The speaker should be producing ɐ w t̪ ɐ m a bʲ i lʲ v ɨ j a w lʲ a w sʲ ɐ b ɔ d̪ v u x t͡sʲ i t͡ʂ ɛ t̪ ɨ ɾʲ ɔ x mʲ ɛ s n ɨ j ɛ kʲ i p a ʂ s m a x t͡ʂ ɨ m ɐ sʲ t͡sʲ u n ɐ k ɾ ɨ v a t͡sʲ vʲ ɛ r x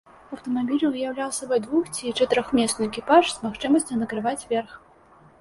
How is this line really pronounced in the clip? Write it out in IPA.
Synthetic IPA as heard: ɐ w t̪ ɐ m a bʲ i lʲ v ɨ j a w lʲ a w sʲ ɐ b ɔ d̪ v u x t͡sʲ i t͡ʂ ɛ t̪ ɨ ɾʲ ɔ x mʲ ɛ s n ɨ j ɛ kʲ i p a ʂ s m a x t͡ʂ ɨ m ɐ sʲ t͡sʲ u n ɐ k ɾ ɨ v a t͡sʲ vʲ ɛ r x